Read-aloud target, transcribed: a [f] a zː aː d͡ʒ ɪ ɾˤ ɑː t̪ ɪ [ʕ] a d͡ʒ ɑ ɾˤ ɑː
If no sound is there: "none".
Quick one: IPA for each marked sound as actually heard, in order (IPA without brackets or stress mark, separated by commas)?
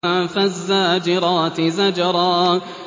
f, z